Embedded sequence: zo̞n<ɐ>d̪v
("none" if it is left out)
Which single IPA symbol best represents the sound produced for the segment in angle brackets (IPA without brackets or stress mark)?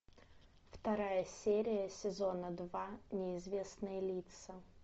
ə